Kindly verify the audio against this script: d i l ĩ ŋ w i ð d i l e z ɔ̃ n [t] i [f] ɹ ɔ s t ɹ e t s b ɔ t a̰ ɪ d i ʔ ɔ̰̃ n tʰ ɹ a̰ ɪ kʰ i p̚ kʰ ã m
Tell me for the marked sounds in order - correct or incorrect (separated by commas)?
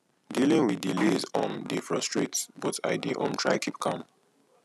incorrect, correct